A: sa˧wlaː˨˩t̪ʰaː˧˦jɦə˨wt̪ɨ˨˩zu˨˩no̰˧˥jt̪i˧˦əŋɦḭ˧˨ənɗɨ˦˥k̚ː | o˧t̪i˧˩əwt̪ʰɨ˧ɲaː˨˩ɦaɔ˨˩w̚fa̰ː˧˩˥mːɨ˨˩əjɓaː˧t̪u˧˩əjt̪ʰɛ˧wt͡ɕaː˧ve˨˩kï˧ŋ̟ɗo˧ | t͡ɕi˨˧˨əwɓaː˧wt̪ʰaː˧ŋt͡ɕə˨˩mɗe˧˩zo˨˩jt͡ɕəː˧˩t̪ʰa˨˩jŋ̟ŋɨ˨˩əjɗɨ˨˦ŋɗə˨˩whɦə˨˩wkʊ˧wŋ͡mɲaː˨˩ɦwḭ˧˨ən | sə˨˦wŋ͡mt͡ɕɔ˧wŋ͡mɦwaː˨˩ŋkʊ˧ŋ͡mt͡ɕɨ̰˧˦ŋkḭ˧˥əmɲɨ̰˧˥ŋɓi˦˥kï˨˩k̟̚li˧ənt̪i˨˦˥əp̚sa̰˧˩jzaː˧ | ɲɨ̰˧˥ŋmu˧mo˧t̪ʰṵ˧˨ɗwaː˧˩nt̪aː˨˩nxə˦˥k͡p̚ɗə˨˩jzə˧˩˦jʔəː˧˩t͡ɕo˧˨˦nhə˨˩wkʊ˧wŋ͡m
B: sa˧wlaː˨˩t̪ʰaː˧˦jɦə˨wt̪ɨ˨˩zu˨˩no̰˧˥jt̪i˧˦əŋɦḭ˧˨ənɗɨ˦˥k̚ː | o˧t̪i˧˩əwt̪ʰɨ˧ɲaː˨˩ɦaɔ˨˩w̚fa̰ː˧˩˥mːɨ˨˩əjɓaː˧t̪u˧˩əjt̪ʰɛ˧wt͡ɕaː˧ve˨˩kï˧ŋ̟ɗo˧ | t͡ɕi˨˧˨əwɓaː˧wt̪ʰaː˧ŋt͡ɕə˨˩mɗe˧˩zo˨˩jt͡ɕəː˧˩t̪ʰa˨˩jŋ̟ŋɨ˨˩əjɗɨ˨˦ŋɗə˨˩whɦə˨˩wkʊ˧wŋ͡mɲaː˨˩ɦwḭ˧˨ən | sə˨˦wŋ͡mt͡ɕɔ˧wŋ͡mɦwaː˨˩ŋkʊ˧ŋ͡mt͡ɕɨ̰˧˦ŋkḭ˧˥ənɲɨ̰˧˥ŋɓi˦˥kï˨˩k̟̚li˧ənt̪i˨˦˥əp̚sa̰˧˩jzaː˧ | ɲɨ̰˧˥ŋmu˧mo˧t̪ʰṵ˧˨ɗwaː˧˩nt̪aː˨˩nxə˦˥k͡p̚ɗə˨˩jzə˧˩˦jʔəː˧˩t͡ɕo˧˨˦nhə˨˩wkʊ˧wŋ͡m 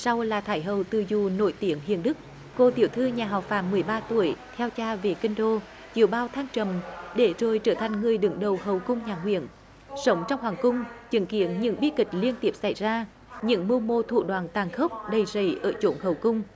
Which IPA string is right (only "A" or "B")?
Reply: B